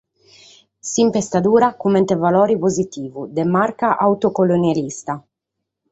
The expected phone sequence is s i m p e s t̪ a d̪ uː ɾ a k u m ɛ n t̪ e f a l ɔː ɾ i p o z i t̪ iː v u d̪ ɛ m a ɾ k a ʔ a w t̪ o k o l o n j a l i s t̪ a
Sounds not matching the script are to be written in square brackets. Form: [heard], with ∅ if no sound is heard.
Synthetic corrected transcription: s i m p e s t̪ a d̪ uː ɾ a k u m ɛ n t̪ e [v] a l ɔː ɾ i p o z i t̪ iː v u d̪ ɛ m a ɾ k a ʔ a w t̪ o k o l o n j a l i s t̪ a